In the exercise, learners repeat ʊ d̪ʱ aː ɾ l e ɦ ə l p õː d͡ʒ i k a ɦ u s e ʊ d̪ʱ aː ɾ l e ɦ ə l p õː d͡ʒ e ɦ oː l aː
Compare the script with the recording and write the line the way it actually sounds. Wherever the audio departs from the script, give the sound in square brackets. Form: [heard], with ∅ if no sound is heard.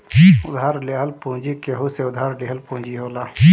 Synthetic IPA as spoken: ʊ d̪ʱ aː ɾ l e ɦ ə l p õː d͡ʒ i k [e] ɦ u s e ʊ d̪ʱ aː ɾ l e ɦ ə l p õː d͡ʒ [i] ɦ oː l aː